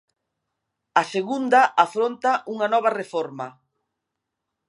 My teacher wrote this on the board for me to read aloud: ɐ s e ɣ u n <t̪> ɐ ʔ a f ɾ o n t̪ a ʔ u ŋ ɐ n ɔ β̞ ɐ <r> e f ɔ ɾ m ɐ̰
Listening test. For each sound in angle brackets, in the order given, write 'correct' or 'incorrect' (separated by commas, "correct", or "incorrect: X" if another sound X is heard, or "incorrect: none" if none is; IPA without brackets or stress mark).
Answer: incorrect: d̪, correct